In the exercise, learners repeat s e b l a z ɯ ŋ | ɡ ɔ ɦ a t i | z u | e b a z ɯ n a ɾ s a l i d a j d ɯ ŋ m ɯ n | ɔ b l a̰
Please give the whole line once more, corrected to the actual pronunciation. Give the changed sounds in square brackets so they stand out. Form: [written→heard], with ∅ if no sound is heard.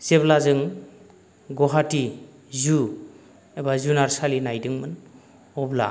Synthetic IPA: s e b l a z ɯ ŋ | ɡ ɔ ɦ a t i | z u | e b a z [ɯ→u] n a ɾ s a l i [d→n] a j d ɯ ŋ m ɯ n | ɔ b l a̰

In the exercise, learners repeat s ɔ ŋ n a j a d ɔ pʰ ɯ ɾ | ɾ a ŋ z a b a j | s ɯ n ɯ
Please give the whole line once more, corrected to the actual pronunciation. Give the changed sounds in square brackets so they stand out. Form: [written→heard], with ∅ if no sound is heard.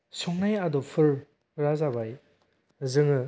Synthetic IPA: s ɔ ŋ n a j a d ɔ pʰ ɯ ɾ | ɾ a [ŋ→∅] z a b a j | [s→z] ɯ [n→ŋ] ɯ

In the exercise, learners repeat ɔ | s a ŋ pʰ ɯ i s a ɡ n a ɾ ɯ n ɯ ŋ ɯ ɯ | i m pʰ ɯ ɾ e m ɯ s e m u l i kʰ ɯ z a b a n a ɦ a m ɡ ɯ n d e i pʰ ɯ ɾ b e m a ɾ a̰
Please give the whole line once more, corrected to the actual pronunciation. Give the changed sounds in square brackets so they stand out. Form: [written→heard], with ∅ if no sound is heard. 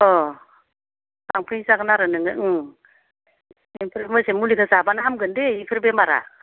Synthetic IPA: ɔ | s a ŋ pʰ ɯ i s a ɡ n a ɾ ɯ n ɯ ŋ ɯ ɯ | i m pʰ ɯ ɾ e m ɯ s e m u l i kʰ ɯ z a b a n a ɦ a m ɡ ɯ n d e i pʰ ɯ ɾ b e m a ɾ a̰

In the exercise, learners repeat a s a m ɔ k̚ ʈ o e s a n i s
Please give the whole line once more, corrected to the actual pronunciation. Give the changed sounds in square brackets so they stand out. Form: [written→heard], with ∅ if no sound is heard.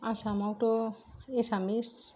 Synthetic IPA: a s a m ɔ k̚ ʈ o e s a [n→m] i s

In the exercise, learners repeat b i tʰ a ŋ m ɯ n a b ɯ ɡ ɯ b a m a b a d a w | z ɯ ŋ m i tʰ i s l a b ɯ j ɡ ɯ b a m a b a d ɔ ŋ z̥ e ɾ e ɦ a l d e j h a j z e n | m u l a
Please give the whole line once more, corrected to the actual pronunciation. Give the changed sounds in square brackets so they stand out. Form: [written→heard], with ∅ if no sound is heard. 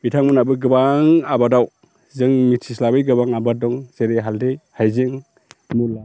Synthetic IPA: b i tʰ a ŋ m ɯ n a b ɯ ɡ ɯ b a [m→ŋ] a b a d a w | z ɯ ŋ m i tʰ i s l a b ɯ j ɡ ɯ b a [m→ŋ] a b a d ɔ ŋ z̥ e ɾ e ɦ a l d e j h a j z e [n→ŋ] | m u l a

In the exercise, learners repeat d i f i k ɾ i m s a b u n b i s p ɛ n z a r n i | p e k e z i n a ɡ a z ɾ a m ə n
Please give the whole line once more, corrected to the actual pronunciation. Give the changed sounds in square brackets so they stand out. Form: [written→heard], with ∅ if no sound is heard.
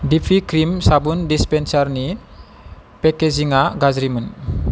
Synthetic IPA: d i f i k ɾ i m s a b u n [b→d] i s p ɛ n [z→s] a r n i | p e k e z i [n→ŋ] a ɡ a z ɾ [a→i] m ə n

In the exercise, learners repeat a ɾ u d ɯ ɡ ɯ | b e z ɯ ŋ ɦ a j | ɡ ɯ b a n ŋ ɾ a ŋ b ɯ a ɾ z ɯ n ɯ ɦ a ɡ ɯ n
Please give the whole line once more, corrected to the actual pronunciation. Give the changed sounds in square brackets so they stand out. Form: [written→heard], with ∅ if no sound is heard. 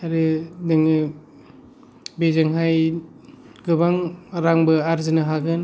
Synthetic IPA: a ɾ [u→ɯ] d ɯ [ɡ→ŋ] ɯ | b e z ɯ ŋ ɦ a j | ɡ ɯ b a [n→∅] ŋ ɾ a ŋ b ɯ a ɾ z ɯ n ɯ ɦ a ɡ ɯ n

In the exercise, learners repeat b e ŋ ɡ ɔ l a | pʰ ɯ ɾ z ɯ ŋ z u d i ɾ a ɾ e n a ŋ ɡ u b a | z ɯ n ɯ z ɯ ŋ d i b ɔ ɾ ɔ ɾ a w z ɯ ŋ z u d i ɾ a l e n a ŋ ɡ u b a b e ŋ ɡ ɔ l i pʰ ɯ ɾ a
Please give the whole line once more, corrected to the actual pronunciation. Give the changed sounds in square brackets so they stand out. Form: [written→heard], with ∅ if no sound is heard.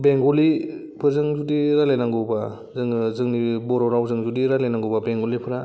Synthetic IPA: b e ŋ ɡ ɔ l [a→i] | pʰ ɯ ɾ z ɯ ŋ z u d i ɾ a [ɾ→l] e n a ŋ ɡ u b a | z ɯ [n→ŋ] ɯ z ɯ ŋ [d→n] i b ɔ ɾ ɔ ɾ a w z ɯ ŋ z u d i ɾ a l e n a ŋ ɡ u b a b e ŋ ɡ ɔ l i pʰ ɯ ɾ a

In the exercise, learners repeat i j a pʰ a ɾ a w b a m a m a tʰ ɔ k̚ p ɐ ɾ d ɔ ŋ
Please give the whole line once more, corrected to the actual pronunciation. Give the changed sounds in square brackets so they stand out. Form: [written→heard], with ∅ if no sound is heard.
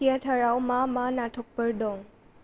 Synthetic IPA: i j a [pʰ→tʰ] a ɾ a w [b→m] a m a [m→n] a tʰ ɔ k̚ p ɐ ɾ d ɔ ŋ

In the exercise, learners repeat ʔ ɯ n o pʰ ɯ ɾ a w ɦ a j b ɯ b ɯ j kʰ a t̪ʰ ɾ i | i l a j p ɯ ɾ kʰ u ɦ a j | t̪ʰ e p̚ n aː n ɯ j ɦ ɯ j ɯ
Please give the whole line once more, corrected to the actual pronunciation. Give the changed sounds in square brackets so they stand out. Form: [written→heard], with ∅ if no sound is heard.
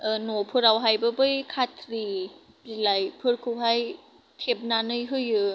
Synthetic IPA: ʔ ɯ n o pʰ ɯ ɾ a w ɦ a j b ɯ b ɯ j kʰ a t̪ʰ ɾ i | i l a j [p→pʰ] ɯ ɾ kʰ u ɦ a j | t̪ʰ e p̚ n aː n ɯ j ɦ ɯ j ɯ

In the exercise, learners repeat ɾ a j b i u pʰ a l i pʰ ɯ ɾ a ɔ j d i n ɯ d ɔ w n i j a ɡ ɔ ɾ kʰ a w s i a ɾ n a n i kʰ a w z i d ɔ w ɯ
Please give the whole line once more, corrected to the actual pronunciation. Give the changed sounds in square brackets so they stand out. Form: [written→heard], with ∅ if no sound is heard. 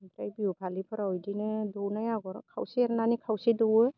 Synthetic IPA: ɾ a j b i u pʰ a l i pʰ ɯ ɾ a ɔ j d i n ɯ d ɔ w n [i→a] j a ɡ ɔ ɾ kʰ a w s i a ɾ n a n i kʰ a w [z→s] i d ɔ w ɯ

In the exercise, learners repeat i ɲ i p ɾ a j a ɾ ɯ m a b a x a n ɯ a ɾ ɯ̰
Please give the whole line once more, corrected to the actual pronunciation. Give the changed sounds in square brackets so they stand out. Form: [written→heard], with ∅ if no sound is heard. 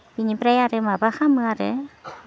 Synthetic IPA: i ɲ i p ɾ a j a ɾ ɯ m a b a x a [n→m] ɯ a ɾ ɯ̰

